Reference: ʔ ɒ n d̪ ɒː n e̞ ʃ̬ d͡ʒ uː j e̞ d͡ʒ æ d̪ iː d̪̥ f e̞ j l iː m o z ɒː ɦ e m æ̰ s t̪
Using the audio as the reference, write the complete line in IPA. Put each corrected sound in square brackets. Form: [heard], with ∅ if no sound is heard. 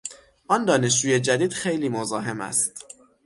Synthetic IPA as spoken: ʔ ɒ n d̪ ɒː n e̞ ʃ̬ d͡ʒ uː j e̞ d͡ʒ æ d̪ iː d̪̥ [x] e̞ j l iː m o z ɒː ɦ e m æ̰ s t̪